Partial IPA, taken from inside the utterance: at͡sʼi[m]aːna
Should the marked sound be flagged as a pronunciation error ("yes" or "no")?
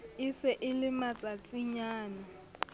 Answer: yes